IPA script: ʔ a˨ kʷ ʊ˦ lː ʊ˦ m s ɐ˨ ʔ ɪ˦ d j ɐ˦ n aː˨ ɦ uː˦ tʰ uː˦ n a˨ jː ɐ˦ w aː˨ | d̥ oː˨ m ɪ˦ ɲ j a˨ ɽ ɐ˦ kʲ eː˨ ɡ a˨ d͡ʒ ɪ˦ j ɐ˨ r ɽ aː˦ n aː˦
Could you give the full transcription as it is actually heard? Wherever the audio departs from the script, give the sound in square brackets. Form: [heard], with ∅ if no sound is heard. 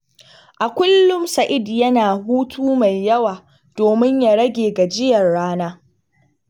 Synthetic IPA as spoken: ʔ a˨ kʷ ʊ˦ lː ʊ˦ m s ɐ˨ ʔ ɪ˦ d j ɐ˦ n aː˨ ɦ uː˦ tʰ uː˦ [m] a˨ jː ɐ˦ w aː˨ | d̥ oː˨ m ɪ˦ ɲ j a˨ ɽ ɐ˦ [ɡʲ] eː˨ ɡ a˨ d͡ʒ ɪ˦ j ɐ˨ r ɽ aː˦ n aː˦